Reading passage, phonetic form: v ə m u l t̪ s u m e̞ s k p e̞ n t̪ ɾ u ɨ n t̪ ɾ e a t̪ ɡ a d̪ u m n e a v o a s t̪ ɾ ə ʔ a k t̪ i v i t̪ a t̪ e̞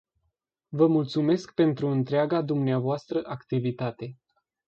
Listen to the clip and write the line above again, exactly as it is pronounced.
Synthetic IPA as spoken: v ə m u l t̪ s u m e̞ s k p e̞ n t̪ ɾ u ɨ n t̪ ɾ e a ɡ a d̪ u m n e a v o a s t̪ ɾ ə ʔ a k t̪ i v i t̪ a t̪ e̞